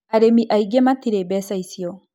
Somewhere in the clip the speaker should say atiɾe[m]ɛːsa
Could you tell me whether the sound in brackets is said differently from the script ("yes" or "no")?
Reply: yes